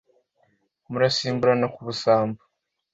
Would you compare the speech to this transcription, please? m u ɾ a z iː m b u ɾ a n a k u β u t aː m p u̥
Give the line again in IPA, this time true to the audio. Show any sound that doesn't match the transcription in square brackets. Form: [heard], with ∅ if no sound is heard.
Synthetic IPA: m u ɾ a [s] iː m b u ɾ a n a k u β u [s] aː m [b] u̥